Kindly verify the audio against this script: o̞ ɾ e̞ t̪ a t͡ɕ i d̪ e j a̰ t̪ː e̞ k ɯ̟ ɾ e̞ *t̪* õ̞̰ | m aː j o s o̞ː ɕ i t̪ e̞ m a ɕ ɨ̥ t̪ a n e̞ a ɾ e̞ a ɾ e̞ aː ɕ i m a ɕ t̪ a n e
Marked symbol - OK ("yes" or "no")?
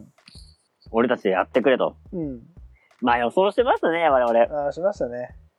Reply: yes